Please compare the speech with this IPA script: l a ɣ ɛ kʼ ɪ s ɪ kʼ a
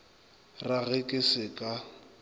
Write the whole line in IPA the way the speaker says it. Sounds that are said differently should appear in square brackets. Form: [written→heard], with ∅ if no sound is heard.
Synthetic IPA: [l→r] a ɣ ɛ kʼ ɪ s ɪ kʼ a